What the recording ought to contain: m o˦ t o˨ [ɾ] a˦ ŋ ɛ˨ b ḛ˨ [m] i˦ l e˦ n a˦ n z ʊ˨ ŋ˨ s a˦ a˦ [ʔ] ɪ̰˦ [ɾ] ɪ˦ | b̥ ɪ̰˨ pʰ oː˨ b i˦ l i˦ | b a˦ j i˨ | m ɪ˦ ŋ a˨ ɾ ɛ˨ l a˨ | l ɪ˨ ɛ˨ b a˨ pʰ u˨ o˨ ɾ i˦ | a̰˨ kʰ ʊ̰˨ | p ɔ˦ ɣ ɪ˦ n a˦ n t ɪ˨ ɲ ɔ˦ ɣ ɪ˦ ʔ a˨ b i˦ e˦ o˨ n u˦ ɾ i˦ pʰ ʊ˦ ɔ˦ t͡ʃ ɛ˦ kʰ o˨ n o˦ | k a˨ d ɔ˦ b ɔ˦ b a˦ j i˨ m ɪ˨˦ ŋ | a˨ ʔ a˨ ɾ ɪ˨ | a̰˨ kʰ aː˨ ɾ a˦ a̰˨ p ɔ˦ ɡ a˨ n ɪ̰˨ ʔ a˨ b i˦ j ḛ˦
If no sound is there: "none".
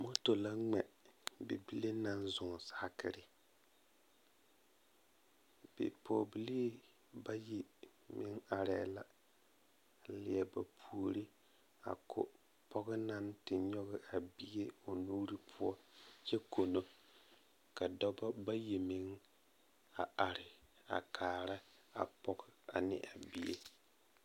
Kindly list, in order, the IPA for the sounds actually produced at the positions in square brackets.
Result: l, b, k, ɾ

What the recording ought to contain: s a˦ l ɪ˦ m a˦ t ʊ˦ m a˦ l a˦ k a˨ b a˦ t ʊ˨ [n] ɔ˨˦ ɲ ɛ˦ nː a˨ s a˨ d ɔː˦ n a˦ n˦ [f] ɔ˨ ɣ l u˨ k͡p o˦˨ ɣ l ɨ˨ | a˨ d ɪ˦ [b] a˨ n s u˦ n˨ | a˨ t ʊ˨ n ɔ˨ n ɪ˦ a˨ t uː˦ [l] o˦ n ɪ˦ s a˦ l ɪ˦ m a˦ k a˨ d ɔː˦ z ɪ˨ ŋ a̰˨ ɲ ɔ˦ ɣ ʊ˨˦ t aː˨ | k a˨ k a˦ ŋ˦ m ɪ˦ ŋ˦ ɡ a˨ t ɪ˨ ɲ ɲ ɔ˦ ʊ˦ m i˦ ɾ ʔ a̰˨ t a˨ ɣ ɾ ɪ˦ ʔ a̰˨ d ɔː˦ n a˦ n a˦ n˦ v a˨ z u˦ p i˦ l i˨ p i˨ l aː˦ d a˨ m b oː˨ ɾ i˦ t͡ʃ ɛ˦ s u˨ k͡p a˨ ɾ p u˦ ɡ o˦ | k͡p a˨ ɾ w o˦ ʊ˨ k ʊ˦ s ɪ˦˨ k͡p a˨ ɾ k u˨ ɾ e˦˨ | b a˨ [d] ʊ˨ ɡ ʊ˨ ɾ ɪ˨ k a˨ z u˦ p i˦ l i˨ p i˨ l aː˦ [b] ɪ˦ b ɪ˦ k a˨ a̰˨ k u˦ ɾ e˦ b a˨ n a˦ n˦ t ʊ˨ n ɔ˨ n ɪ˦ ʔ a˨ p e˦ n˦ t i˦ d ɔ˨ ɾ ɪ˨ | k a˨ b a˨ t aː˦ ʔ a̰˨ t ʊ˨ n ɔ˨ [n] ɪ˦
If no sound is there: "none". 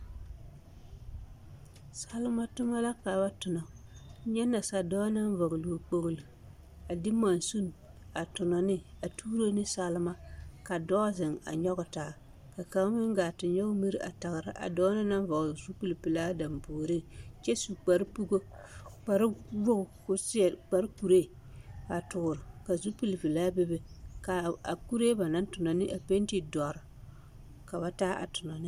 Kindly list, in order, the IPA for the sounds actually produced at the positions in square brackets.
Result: n, v, m, ɾ, t, b, n

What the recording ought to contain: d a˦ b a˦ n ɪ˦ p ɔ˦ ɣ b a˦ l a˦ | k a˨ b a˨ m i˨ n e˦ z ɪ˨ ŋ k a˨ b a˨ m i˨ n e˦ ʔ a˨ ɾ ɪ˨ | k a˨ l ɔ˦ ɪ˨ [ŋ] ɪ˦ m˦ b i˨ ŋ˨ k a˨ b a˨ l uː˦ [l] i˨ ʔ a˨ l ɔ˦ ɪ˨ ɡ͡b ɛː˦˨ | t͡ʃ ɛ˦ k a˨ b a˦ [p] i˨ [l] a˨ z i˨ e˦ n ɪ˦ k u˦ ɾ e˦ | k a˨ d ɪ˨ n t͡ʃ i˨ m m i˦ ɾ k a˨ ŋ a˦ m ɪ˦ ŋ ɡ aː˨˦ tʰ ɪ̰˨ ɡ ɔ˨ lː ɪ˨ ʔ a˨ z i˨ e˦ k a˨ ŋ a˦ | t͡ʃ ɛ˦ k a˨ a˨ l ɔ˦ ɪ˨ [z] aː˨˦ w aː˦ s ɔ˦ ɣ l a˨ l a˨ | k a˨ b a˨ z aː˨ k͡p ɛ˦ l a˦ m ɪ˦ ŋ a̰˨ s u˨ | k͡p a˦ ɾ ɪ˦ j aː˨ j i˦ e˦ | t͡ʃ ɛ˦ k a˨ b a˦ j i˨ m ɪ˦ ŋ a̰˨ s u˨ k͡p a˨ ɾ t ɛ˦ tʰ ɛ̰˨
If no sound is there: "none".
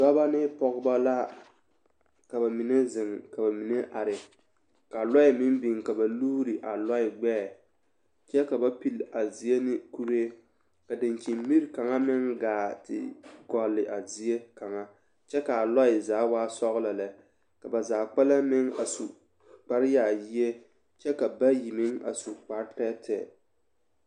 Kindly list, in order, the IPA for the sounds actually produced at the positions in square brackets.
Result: m, ɾ, p, l, z

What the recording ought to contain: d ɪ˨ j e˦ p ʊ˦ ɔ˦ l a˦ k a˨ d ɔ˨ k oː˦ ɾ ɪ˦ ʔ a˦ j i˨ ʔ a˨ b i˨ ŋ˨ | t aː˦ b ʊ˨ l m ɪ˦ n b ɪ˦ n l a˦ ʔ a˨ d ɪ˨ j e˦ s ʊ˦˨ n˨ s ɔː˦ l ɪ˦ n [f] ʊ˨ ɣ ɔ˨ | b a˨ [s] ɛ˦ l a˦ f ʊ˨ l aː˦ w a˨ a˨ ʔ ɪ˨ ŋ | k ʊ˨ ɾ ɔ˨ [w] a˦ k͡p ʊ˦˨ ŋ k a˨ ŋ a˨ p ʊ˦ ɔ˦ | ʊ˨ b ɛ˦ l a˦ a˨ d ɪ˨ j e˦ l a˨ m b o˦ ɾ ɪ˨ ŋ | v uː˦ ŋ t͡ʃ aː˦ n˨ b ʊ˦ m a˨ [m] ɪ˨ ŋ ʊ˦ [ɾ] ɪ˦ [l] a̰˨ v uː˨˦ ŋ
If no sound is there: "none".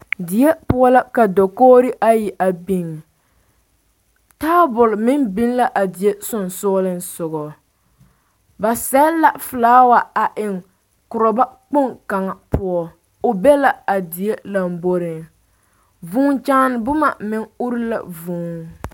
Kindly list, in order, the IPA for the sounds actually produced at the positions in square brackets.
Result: s, s, b, m, ɾ, l

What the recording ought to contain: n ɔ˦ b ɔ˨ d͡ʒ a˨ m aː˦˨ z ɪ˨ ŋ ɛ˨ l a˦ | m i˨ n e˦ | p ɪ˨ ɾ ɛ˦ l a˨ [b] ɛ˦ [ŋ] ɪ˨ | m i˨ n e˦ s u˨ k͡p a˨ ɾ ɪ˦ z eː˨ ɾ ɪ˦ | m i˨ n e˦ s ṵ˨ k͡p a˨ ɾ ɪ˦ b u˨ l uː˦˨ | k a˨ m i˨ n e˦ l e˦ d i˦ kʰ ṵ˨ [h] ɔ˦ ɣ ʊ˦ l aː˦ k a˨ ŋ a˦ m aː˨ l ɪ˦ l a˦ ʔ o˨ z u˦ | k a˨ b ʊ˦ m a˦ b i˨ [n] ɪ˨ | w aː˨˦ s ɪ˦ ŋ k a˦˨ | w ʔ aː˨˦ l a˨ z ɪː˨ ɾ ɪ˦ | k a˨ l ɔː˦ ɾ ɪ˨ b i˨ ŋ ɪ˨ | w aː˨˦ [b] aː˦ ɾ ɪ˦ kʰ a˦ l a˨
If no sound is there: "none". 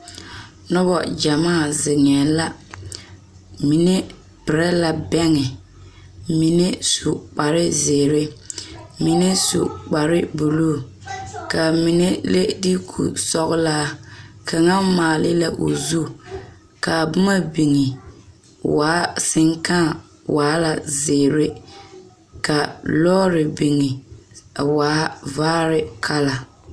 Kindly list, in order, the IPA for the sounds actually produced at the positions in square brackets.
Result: b, ŋ, s, ŋ, v

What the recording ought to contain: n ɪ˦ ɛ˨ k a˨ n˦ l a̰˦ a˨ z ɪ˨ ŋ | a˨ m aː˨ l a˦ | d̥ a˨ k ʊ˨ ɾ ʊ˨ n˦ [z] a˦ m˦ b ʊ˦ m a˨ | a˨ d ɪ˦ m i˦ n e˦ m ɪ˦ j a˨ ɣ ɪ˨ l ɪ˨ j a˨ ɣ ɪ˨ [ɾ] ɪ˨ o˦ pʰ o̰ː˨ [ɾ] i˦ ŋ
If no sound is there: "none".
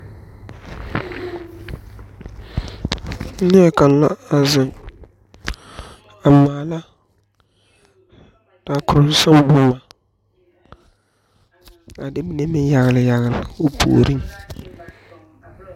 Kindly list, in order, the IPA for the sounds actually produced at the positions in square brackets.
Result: s, l, ɾ

